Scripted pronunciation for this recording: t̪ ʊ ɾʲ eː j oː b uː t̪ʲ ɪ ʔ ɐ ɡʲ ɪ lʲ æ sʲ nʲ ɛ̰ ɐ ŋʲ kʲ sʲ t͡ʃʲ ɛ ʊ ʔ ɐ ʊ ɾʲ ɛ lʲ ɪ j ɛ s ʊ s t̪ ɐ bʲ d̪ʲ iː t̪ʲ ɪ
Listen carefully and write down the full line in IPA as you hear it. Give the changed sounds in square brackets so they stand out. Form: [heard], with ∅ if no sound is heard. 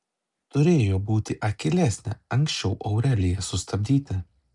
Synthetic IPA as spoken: t̪ ʊ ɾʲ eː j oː b uː t̪ʲ ɪ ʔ ɐ [kʲ] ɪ lʲ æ sʲ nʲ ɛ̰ ɐ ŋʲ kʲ sʲ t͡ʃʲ ɛ ʊ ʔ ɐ ʊ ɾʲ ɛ lʲ ɪ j ɛ s ʊ s t̪ ɐ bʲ d̪ʲ iː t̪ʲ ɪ